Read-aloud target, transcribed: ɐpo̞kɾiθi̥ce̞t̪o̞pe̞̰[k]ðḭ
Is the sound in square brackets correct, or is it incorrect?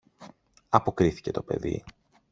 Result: incorrect